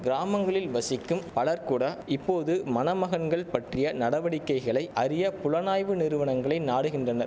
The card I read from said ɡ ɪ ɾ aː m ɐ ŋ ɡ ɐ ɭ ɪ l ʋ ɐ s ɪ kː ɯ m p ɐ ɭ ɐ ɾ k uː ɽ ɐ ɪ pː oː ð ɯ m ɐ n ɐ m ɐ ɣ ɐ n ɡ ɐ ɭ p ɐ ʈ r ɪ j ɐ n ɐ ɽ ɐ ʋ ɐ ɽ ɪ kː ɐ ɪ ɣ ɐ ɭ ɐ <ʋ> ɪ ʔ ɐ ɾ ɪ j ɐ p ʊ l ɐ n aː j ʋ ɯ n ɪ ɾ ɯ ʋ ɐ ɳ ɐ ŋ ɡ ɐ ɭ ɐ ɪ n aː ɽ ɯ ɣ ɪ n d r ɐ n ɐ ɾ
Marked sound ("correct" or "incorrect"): incorrect